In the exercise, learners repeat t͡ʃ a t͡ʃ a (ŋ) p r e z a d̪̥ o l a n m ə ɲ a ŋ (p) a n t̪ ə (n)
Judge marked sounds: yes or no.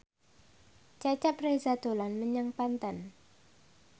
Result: no, yes, yes

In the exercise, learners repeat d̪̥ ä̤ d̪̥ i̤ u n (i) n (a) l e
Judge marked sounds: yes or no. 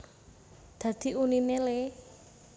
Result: yes, no

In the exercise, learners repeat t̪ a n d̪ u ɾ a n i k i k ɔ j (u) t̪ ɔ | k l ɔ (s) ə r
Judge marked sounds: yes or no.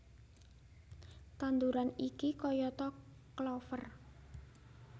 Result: no, no

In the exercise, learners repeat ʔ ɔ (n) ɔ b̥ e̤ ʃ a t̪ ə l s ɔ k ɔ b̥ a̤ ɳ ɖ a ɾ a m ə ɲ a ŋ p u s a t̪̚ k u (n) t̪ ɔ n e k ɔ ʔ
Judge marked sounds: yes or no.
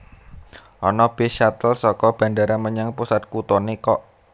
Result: yes, no

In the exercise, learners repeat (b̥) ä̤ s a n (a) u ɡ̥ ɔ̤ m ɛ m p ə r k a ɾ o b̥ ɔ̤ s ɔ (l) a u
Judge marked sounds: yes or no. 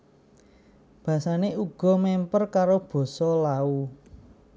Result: yes, no, yes

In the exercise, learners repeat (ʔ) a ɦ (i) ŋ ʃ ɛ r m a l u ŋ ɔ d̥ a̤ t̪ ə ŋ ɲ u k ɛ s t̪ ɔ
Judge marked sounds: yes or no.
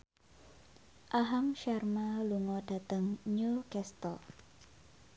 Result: yes, no

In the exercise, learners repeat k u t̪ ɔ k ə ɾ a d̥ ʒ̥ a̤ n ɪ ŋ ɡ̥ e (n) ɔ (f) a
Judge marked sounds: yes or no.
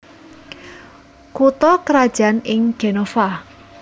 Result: yes, yes

